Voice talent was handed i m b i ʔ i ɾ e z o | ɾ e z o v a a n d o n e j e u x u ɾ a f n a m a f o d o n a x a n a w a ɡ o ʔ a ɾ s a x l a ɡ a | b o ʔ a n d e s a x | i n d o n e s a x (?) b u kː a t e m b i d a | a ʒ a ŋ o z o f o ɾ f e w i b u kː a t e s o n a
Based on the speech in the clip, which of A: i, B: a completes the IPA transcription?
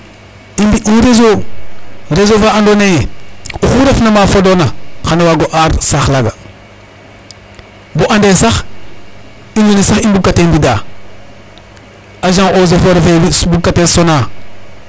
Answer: A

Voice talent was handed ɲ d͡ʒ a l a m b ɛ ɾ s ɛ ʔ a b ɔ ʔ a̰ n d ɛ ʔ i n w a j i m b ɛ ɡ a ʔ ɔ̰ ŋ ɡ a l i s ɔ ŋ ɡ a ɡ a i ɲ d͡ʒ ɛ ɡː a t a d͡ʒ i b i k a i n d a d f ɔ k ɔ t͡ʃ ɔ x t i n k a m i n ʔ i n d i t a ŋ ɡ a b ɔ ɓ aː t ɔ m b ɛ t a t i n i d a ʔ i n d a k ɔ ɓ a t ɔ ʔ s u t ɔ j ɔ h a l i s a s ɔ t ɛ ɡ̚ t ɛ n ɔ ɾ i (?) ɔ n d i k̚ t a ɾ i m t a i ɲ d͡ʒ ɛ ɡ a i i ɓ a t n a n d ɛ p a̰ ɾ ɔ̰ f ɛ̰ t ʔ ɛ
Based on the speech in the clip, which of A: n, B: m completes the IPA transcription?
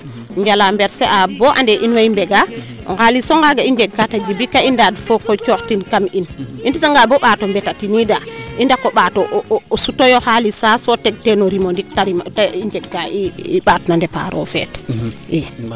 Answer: B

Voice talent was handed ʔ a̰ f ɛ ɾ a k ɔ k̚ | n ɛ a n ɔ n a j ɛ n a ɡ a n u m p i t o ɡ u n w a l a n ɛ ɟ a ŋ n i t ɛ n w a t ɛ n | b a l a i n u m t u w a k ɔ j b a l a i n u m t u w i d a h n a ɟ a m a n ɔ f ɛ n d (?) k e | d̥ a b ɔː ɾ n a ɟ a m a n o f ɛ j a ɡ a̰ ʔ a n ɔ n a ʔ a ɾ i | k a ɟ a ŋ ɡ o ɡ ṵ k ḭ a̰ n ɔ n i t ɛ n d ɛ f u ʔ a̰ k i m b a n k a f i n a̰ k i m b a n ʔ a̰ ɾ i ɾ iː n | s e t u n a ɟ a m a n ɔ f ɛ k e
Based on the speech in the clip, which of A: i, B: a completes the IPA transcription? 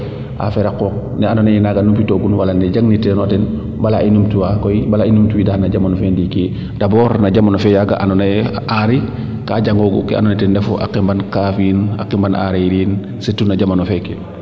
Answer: A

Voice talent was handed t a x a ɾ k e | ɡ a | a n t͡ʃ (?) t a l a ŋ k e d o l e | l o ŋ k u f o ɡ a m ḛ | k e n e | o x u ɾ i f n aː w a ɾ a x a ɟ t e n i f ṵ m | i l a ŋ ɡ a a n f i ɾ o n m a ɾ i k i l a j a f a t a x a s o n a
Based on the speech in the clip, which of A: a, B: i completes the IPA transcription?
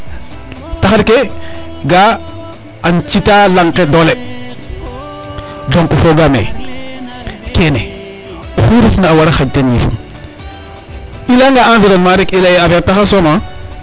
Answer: B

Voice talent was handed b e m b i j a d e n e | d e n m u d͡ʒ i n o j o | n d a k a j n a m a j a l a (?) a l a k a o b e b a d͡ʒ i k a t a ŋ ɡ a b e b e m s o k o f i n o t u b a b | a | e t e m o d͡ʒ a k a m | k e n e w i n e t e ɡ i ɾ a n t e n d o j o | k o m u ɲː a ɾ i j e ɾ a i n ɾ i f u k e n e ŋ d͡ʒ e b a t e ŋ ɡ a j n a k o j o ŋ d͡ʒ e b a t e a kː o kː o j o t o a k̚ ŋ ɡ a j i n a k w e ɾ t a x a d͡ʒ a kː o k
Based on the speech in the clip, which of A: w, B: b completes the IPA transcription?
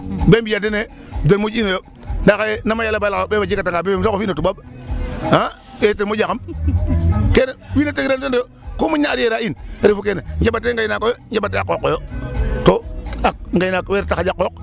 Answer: B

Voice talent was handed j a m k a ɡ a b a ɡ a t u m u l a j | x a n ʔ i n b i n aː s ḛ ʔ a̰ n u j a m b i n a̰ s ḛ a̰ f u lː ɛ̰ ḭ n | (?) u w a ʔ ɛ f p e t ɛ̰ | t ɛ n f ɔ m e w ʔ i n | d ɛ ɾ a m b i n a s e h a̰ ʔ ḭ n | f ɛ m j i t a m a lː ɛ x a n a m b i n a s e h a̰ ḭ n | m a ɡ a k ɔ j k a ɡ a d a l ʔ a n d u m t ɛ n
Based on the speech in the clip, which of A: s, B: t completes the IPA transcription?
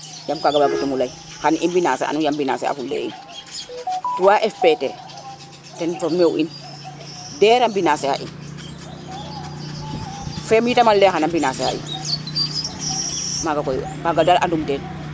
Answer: B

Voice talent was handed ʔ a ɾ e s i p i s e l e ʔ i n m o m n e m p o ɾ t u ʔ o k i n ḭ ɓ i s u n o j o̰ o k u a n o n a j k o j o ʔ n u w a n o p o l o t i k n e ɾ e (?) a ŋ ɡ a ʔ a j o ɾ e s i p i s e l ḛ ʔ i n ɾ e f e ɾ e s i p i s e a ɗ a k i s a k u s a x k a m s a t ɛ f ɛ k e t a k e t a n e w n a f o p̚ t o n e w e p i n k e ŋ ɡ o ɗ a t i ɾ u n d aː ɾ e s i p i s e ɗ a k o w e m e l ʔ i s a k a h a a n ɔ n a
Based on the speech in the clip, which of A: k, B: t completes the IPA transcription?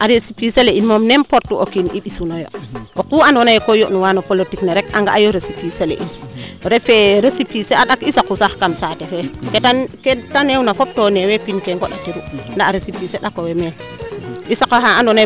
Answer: A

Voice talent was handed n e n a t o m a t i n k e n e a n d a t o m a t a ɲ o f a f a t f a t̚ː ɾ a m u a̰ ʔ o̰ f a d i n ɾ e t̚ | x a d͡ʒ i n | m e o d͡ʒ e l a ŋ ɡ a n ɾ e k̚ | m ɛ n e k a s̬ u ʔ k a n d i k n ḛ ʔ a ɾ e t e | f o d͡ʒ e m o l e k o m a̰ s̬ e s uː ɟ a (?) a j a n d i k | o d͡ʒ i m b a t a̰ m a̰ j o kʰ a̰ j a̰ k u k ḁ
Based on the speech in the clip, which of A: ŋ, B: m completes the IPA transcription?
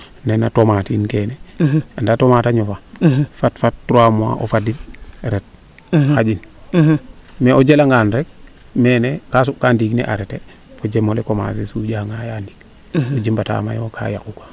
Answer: A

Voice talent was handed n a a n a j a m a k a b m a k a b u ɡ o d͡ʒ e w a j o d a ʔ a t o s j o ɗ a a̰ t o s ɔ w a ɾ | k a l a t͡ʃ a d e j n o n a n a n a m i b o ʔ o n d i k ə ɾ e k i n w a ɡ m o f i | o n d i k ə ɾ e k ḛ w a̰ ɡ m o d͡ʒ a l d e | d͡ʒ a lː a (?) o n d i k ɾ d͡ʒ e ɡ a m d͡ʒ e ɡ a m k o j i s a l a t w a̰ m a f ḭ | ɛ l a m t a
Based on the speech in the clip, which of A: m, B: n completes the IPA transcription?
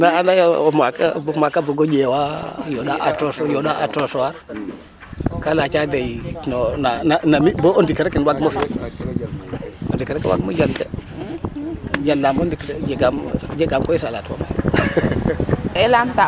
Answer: A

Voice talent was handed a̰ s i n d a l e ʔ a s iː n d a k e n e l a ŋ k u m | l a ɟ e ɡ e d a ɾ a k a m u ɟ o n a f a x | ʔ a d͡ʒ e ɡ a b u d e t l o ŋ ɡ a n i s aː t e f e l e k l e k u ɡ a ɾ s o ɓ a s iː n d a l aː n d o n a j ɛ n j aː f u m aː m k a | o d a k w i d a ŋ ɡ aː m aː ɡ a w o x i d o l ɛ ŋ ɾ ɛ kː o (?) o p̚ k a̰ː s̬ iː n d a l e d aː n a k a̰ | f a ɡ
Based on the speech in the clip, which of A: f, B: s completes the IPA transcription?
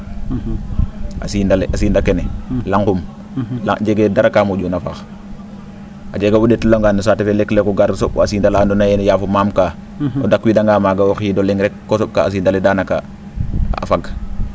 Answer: B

